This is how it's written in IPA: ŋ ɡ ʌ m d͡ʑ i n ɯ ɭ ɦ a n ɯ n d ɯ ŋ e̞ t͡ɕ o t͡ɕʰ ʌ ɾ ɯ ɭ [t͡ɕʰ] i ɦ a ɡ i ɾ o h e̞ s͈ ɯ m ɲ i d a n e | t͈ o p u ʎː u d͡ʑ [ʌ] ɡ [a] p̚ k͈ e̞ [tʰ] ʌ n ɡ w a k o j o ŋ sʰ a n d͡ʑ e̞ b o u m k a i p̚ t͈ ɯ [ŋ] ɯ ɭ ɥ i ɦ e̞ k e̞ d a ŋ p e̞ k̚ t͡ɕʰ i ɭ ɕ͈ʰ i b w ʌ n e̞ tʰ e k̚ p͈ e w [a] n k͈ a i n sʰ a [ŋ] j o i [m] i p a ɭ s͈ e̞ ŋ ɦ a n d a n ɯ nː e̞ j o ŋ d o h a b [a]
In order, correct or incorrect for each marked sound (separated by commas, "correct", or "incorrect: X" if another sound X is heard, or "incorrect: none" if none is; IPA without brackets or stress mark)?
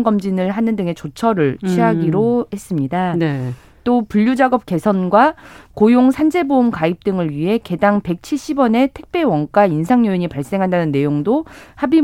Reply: correct, incorrect: a, incorrect: ʌ, incorrect: sʰ, correct, incorrect: ʌ, correct, incorrect: ɲ, incorrect: i